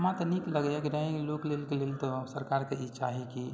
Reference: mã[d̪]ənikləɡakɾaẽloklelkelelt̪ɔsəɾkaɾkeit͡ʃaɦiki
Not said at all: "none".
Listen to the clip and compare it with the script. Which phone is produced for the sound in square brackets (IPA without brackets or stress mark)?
t̪